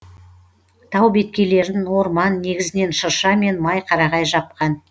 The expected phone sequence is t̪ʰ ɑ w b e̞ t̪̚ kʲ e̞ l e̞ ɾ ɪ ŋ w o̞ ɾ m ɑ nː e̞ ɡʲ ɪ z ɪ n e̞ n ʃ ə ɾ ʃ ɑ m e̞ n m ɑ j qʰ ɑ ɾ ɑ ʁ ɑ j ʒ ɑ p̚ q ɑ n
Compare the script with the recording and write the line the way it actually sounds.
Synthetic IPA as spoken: t̪ʰ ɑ w b e̞ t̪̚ kʲ e̞ l e̞ ɾ ɪ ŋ w o̞ ɾ m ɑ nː e̞ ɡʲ ɪ z ɪ n e̞ n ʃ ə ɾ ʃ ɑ m e̞ n m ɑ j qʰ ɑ ɾ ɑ ʁ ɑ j ʒ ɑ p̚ q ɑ n